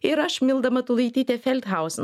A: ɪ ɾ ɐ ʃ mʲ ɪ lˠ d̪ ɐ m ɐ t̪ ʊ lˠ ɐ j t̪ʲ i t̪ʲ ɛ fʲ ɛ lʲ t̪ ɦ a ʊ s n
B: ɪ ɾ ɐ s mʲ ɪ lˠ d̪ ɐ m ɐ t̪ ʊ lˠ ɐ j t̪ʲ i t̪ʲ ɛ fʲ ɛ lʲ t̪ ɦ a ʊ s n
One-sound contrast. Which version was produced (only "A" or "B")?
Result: A